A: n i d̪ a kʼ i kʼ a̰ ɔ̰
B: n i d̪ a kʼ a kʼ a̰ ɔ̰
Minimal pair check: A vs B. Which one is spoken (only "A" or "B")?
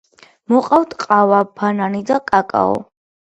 B